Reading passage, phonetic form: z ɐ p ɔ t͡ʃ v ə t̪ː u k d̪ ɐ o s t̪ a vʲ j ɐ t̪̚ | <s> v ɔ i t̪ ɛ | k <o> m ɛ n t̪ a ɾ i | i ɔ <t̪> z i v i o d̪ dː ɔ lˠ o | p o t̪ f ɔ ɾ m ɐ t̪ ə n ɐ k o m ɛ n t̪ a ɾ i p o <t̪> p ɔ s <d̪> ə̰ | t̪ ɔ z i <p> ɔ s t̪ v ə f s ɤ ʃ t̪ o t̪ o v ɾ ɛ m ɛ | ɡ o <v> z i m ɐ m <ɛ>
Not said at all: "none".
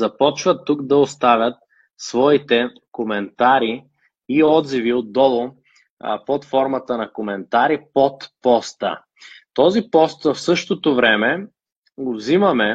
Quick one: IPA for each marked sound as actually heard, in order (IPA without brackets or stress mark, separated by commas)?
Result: s, o, d̪, t̪, t̪, p, v, ɛ